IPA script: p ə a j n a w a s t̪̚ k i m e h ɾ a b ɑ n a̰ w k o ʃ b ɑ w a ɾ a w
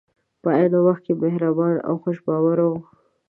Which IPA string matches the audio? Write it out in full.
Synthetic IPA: p ə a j n a w a x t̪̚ k e m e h ɾ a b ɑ n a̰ w x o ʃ b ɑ w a ɾ a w